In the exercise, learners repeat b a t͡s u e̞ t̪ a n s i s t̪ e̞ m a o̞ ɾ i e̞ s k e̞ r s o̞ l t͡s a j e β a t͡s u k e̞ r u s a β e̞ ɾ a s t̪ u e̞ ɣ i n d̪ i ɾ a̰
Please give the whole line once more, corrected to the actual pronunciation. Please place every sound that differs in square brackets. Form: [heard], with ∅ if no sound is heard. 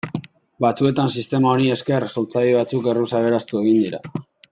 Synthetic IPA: b a t͡s u e̞ t̪ a n s i s t̪ e̞ m a o̞ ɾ i e̞ s k e̞ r s o̞ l t͡s a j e β a t͡s u k e̞ r u s a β e̞ ɾ a s t̪ u e̞ ɣ i n d̪ i ɾ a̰